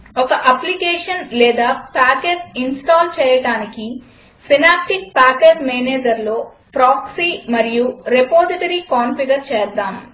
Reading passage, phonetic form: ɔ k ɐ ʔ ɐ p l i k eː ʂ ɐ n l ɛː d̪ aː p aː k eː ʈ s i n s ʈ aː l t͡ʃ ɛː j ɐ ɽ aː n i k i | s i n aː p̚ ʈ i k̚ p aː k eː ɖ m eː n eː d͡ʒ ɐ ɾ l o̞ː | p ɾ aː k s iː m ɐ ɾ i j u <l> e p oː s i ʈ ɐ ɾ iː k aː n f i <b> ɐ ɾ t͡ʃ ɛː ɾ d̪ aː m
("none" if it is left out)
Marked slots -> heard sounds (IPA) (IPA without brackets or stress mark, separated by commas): ɾ, ɡ